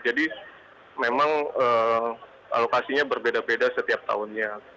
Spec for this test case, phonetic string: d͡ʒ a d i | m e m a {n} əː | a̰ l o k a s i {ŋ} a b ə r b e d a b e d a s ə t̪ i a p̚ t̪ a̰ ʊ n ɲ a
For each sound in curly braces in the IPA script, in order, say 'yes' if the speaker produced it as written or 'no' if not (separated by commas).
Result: no, no